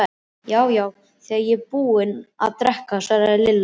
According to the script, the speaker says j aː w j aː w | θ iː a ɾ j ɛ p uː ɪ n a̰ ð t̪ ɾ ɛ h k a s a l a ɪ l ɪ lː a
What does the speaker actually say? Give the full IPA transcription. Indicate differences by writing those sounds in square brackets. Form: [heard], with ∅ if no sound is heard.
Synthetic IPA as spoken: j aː w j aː w | θ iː a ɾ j ɛ p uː ɪ n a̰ ð t̪ ɾ ɛ h k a s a [ɾ] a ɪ l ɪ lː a